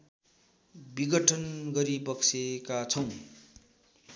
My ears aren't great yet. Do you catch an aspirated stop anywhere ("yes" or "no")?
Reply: yes